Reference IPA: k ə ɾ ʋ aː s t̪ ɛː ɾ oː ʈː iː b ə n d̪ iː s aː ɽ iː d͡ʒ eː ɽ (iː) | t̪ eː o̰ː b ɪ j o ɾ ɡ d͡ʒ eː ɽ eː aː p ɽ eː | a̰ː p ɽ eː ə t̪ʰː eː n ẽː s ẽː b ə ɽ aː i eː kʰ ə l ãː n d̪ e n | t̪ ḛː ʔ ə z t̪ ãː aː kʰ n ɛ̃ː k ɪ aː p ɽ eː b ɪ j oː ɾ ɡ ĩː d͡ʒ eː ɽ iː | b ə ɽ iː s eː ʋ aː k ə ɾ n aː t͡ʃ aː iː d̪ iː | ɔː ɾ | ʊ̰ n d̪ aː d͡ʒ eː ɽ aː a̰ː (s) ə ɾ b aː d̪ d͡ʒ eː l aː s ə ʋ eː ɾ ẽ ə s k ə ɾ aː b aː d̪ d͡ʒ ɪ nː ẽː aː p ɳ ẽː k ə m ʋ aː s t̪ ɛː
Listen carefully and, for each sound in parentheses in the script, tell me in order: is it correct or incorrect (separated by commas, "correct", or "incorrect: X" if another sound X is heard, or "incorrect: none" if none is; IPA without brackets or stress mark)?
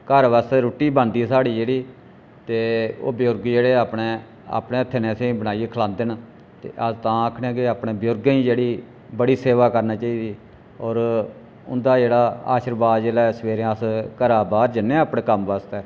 correct, incorrect: ʃ